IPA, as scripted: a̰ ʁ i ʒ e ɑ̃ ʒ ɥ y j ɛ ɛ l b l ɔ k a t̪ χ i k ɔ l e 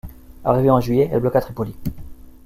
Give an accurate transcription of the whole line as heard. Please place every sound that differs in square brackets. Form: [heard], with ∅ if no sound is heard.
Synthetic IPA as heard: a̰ ʁ i [v] e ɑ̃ ʒ ɥ [i] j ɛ ɛ l b l ɔ k a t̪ χ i [p] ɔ l [i]